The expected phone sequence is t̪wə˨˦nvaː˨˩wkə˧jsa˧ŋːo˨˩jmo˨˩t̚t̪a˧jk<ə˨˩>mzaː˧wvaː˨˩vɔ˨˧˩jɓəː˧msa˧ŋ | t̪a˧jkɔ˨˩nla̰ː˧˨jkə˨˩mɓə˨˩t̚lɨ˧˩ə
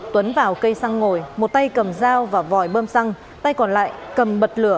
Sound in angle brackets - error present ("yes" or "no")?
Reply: no